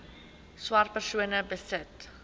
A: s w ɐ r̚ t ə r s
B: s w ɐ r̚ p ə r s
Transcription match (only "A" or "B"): B